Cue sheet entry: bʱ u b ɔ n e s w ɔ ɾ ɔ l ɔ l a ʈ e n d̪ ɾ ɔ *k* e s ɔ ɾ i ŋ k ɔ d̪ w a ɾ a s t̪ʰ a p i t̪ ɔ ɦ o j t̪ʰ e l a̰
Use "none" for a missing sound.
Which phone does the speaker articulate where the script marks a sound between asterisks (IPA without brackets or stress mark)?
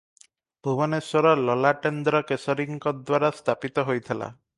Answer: k